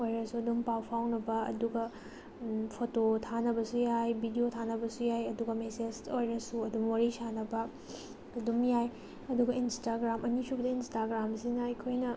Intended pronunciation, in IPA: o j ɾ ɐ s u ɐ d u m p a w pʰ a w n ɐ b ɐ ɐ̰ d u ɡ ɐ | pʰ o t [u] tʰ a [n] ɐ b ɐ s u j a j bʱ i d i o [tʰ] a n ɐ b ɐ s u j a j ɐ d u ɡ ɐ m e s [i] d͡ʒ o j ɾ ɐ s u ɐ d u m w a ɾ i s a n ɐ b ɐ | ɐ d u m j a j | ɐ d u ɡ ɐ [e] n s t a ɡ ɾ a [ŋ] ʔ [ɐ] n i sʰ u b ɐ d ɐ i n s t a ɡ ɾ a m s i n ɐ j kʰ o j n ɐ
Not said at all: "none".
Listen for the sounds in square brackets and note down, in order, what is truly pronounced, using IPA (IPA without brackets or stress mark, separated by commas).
o, n, tʰ, e, i, m, ɐ